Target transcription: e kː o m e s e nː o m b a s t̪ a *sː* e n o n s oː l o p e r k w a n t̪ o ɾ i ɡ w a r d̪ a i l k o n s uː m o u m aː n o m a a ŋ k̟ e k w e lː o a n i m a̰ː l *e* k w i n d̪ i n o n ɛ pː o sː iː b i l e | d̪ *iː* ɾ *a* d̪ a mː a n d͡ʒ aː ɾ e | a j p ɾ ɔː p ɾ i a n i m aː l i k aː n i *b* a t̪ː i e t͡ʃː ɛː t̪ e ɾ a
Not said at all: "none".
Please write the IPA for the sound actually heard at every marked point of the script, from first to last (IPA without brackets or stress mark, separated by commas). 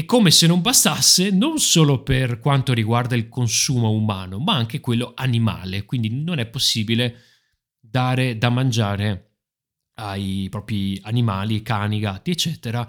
sː, e, aː, e, ɡ